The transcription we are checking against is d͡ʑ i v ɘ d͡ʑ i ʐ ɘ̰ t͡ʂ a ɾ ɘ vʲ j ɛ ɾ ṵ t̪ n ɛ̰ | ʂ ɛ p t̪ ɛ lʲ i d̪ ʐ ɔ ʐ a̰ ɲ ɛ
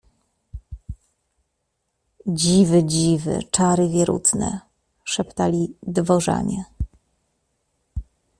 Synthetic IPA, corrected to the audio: d͡ʑ i v ɘ d͡ʑ i v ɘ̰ t͡ʂ a ɾ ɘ vʲ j ɛ ɾ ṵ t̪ n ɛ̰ | ʂ ɛ p t̪ a lʲ i d̪ v ɔ ʐ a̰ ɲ ɛ